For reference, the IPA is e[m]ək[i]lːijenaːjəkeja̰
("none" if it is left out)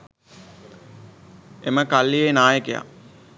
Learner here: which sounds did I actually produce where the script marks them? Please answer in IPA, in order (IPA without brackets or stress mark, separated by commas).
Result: m, a